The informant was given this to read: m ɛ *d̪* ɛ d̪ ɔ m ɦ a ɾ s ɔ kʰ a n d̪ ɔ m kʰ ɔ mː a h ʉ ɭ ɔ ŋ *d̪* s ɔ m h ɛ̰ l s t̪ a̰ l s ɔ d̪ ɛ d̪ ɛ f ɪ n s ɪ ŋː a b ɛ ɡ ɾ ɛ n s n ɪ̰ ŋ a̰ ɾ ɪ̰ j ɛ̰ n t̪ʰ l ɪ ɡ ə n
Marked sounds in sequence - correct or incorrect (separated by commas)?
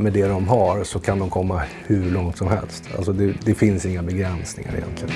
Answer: correct, incorrect